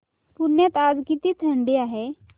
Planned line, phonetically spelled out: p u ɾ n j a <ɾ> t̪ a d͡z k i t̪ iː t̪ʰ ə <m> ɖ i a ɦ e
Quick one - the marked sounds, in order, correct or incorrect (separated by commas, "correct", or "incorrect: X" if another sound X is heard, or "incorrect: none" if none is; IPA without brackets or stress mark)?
incorrect: none, incorrect: ɳ